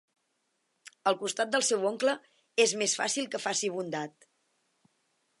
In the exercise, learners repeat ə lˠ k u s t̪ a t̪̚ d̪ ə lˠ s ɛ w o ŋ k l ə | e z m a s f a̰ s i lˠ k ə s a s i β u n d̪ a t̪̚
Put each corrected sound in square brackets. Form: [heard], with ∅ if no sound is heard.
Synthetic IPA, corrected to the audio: ə lˠ k u s t̪ a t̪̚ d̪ ə lˠ s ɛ w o ŋ k l ə | e z m [e] s f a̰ s i lˠ k ə [f] a s i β u n d̪ a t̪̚